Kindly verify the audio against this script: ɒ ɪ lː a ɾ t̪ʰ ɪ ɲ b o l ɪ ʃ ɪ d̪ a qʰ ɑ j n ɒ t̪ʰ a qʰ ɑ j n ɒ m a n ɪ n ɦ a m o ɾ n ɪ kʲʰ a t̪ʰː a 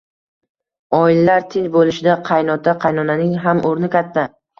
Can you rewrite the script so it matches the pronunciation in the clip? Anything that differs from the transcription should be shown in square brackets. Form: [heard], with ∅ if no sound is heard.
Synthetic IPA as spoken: ɒ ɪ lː a ɾ t̪ʰ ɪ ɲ b o l ɪ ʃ ɪ d̪ a qʰ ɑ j n ɒ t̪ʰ a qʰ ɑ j n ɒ [n] a n ɪ [ŋ] ɦ a m o ɾ n ɪ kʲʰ a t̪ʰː a